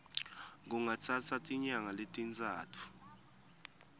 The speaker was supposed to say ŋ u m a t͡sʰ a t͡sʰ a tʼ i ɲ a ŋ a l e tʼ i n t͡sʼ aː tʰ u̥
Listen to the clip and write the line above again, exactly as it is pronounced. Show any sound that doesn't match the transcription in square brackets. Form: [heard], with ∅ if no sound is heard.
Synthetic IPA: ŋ u [ŋ] a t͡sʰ a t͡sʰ a tʼ i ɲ a ŋ a l e tʼ i n t͡sʼ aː tʰ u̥